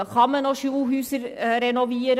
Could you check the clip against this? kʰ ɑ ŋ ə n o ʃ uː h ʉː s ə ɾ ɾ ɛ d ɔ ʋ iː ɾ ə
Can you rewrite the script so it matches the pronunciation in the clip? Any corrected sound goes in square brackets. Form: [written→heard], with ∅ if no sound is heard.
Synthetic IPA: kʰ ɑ [ŋ→m] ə n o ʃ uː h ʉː s ə ɾ ɾ ɛ [d→n] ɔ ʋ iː ɾ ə